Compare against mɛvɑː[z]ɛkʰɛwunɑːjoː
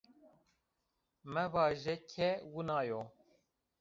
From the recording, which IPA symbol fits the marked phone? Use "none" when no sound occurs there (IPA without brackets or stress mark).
ʒ